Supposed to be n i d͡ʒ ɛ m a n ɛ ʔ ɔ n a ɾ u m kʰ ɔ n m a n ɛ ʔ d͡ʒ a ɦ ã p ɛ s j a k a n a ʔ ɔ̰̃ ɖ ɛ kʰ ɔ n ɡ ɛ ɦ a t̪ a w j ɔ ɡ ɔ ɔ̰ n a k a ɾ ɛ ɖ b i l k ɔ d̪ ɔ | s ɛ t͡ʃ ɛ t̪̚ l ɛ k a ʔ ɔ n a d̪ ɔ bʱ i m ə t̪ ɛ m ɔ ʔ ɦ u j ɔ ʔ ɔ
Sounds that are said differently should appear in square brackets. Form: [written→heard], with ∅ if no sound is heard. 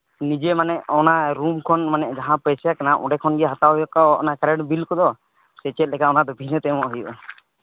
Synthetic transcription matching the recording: n i d͡ʒ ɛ m a n ɛ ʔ ɔ n a ɾ u m kʰ ɔ n m a n ɛ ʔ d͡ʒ a ɦ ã p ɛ s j a k a n a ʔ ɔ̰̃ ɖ ɛ kʰ ɔ n ɡ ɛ ɦ a t̪ a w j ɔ [ɡ→k] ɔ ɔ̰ n a k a ɾ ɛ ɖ b i l k ɔ d̪ ɔ | s ɛ t͡ʃ ɛ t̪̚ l ɛ k a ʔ ɔ n a d̪ ɔ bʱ i [m→n] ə t̪ ɛ m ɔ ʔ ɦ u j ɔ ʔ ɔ